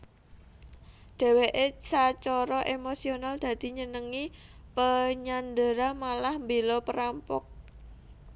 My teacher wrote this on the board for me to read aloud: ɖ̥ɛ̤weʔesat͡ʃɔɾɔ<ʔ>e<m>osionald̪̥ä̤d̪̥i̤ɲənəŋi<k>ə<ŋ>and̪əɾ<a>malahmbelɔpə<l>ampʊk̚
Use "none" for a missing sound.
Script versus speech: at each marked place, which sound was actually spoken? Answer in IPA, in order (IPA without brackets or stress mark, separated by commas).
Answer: ʔ, m, p, ɲ, a, ɾ